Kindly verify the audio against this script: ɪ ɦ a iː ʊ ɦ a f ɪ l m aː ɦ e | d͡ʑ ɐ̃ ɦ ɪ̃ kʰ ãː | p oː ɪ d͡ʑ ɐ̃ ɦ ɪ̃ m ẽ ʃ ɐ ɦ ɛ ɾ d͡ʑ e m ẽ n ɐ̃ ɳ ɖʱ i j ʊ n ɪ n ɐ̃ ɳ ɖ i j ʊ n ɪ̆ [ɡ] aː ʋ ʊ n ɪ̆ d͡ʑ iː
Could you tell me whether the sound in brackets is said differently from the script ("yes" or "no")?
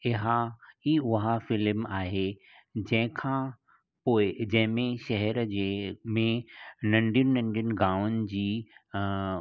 no